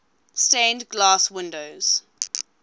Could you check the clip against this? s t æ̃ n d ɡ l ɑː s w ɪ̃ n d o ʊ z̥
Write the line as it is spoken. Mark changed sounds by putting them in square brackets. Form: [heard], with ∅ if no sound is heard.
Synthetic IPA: s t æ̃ n d ɡ l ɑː s w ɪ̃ n d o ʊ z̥